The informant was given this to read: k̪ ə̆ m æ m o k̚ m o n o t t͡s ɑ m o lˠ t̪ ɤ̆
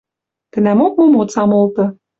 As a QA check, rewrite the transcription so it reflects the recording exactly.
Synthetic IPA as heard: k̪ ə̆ n æ m o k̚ m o m o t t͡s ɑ m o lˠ t̪ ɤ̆